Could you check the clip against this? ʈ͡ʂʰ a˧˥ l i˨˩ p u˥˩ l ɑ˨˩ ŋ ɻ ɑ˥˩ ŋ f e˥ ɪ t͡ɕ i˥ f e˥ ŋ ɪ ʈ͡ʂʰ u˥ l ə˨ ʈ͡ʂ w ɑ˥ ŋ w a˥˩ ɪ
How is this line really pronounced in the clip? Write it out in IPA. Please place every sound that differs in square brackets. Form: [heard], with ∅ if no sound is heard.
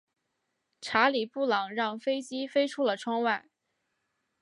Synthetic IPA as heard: ʈ͡ʂʰ a˧˥ l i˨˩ p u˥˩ l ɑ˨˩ ŋ ɻ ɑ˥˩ ŋ f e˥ ɪ t͡ɕ i˥ f e˥ [∅] ɪ ʈ͡ʂʰ u˥ l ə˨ [ʈ͡ʂʰ] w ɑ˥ ŋ w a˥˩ ɪ